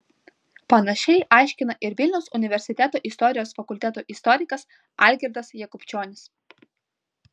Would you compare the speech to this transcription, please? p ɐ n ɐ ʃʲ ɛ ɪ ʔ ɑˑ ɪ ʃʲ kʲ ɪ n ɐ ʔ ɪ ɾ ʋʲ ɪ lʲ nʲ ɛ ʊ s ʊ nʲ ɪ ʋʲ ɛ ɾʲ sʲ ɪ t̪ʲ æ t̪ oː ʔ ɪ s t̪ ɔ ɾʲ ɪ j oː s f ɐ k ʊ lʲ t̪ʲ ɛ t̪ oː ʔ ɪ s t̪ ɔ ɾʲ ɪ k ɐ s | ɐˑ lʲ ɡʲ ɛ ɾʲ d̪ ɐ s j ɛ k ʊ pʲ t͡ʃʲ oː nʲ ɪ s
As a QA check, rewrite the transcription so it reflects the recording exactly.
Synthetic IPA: p ɐ n ɐ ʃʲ ɛ ɪ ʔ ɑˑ ɪ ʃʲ kʲ ɪ n ɐ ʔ ɪ ɾ ʋʲ ɪ lʲ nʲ ɛ ʊ s ʊ nʲ ɪ ʋʲ ɛ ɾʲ sʲ ɪ t̪ʲ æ t̪ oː ʔ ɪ s t̪ ɔ ɾʲ ɪ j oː s f ɐ k ʊ lʲ t̪ʲ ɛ t̪ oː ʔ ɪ s t̪ ɔ ɾʲ ɪ k ɐ s | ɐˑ lʲ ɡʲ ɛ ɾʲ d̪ ɐ s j ɛ k ʊ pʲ t͡ʃʲ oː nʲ ɪ s